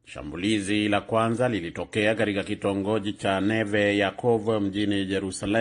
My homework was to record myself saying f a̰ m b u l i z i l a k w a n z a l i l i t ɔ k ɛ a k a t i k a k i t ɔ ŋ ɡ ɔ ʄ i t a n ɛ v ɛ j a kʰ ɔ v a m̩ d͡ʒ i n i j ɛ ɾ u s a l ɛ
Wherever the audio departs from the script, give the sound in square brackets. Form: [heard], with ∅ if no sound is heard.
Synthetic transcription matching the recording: [ʃ] a̰ m b u l i z i l a k w a n z a l i l i t ɔ k ɛ a k a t i k a k i t ɔ ŋ ɡ ɔ ʄ i [t͡ʃ] a n ɛ v ɛ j a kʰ ɔ v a m̩ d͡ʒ i n i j ɛ ɾ u s a l ɛ